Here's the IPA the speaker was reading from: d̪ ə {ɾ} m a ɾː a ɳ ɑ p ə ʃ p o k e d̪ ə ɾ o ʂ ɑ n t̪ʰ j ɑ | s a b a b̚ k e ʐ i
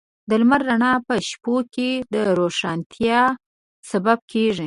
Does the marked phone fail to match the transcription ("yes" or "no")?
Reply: yes